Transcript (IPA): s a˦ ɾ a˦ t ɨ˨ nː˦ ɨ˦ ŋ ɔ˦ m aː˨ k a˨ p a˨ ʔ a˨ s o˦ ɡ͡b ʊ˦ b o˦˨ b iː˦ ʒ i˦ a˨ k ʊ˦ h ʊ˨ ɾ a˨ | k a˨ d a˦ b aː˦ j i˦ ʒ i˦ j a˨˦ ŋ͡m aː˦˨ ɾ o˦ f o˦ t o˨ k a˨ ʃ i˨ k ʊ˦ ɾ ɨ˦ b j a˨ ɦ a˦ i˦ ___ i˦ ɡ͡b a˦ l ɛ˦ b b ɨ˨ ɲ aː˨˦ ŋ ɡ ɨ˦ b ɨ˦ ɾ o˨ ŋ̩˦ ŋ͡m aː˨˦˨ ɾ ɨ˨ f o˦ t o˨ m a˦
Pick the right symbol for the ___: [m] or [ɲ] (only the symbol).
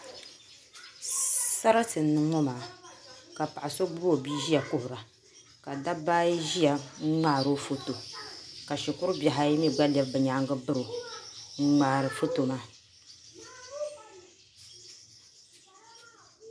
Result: m